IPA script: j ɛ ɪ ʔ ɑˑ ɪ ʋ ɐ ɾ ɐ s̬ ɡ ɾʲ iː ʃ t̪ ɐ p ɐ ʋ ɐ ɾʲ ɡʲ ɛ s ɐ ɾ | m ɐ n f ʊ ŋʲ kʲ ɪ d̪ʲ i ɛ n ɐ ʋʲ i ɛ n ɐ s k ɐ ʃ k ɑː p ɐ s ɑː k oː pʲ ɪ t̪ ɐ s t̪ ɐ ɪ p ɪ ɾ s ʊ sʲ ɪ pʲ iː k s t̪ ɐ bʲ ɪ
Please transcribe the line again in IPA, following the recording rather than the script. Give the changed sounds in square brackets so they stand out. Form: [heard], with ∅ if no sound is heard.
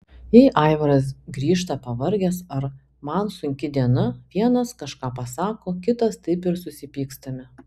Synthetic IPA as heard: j ɛ ɪ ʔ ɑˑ ɪ ʋ ɐ ɾ ɐ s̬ ɡ ɾʲ iː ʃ t̪ ɐ p ɐ ʋ ɐ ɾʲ ɡʲ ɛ s ɐ ɾ | m ɐ n [s] ʊ ŋʲ kʲ ɪ d̪ʲ i ɛ n ɐ ʋʲ i ɛ n ɐ s k ɐ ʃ k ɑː p ɐ s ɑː k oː [kʲ] ɪ t̪ ɐ s t̪ ɐ ɪ p ɪ ɾ s ʊ sʲ ɪ pʲ iː k s t̪ ɐ [mʲ] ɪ